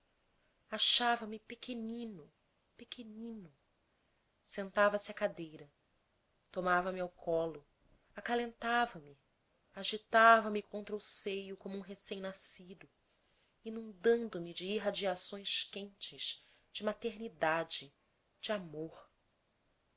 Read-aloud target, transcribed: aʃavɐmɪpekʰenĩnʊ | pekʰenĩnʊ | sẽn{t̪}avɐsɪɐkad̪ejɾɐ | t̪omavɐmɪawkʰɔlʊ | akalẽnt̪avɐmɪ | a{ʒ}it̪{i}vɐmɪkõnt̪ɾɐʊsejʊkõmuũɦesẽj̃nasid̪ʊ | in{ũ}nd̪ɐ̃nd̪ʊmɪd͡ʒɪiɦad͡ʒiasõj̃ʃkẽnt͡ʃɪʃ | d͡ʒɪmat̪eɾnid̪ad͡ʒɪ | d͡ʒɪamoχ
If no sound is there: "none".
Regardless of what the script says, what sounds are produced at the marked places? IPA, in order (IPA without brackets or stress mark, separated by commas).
t̪, ʒ, a, ũ